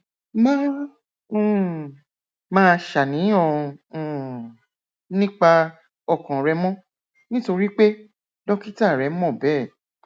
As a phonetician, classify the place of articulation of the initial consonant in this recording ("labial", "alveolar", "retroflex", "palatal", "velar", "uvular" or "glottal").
labial